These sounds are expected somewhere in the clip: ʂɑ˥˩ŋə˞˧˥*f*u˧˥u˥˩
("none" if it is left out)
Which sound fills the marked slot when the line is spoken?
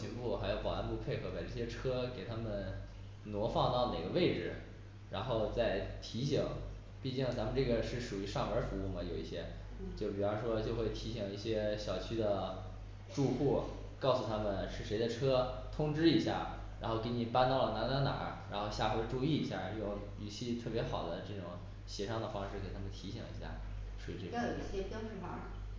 f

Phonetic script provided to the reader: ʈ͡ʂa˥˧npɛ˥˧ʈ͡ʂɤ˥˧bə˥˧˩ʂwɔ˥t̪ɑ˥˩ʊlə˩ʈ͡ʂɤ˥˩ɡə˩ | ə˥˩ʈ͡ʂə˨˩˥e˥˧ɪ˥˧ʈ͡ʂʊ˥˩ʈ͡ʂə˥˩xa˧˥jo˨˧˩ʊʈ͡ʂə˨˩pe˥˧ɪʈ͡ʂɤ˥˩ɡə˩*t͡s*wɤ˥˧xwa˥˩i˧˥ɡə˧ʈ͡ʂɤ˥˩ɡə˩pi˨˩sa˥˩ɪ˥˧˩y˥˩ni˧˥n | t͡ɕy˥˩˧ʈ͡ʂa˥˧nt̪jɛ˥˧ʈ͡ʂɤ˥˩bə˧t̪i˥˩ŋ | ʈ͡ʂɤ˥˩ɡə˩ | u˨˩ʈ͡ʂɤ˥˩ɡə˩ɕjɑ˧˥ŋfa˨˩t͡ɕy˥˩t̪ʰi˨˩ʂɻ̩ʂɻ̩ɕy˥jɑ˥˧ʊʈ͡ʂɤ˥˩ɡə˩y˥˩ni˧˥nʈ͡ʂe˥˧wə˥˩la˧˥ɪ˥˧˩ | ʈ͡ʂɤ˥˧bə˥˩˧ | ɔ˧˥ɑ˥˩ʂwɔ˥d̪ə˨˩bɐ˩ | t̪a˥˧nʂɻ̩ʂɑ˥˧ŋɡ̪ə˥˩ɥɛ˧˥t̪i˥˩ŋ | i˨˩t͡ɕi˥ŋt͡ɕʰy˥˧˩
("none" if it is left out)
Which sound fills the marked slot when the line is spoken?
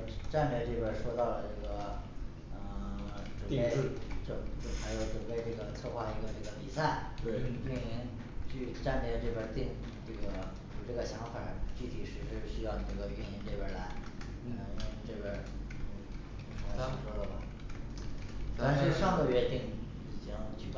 t͡sʰ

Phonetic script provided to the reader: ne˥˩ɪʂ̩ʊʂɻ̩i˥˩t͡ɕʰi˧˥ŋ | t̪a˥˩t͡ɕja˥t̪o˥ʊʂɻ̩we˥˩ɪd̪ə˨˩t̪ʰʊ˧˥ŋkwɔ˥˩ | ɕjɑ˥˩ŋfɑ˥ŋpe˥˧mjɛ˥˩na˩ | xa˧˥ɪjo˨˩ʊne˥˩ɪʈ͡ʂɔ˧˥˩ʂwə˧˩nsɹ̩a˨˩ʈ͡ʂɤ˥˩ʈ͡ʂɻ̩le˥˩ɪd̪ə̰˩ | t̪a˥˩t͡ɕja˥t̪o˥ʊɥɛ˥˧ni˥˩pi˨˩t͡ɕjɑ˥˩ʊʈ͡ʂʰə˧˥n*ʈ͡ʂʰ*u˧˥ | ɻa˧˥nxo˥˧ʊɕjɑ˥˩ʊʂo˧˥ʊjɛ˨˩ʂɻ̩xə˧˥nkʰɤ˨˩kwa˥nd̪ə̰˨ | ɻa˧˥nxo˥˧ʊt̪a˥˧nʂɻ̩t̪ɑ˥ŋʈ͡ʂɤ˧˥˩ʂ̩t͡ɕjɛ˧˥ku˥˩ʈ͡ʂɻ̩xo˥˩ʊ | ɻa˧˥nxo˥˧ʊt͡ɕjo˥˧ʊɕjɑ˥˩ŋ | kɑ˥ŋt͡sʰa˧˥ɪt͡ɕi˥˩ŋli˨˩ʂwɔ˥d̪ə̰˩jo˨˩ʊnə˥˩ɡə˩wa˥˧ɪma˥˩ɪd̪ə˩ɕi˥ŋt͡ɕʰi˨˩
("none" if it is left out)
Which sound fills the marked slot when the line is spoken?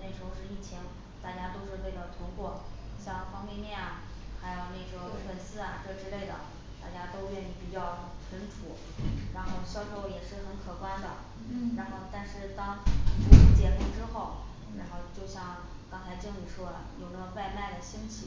ʈ͡ʂʰ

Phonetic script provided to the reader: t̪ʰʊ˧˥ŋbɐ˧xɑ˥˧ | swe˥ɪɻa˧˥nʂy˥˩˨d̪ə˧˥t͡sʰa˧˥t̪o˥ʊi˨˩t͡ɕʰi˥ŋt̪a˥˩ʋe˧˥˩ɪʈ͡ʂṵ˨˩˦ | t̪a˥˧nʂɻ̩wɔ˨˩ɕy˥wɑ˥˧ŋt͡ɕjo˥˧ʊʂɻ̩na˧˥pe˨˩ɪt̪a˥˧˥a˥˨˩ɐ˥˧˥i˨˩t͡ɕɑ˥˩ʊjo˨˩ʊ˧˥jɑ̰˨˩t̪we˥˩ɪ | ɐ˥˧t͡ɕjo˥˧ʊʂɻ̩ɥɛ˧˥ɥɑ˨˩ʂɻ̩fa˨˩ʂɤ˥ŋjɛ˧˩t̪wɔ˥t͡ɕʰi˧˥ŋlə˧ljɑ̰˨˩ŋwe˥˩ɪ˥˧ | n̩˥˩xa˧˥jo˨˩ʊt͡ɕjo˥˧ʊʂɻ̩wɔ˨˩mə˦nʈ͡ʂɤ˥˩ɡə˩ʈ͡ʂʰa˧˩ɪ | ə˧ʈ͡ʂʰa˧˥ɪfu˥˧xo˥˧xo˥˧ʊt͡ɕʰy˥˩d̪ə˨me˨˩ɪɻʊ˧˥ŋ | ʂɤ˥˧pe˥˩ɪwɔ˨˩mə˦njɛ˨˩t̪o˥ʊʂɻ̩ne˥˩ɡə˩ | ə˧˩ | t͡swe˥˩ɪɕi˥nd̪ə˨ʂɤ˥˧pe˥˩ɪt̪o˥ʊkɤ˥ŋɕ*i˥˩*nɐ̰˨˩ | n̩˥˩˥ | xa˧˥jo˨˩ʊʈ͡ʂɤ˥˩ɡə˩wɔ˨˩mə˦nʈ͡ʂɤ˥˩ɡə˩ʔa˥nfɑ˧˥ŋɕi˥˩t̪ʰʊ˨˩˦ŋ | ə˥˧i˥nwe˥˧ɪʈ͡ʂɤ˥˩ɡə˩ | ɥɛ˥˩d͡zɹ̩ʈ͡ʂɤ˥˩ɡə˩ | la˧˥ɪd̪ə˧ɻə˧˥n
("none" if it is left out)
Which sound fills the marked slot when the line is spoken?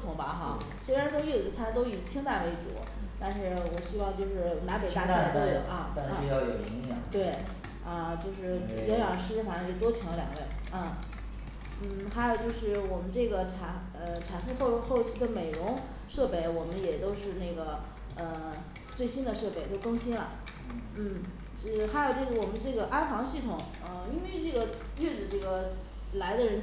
i˥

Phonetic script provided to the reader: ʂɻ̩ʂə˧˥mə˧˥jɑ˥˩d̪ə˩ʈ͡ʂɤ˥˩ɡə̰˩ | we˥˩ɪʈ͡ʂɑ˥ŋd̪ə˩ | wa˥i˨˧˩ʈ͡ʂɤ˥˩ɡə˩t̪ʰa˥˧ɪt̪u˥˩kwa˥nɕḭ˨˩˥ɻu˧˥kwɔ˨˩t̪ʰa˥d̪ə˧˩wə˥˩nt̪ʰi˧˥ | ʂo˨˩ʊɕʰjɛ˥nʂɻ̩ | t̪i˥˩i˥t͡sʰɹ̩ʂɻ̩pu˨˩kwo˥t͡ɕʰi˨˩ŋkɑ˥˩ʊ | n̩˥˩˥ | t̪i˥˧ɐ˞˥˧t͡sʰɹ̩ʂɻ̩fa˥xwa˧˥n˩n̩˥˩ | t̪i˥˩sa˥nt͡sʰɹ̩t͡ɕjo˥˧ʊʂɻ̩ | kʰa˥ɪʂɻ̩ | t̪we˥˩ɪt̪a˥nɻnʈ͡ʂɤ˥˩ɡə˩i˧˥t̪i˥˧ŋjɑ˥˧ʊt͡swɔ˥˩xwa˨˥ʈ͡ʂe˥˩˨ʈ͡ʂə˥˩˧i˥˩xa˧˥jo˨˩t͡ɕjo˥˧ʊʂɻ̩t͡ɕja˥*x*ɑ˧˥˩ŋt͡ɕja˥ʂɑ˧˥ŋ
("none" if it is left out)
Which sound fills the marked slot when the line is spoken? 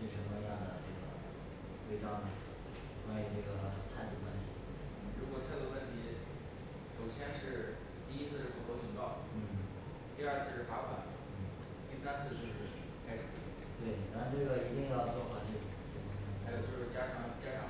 ʂ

